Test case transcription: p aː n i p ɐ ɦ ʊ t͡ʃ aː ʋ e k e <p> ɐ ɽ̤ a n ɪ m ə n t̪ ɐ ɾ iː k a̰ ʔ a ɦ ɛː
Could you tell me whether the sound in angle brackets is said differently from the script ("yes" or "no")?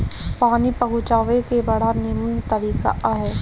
yes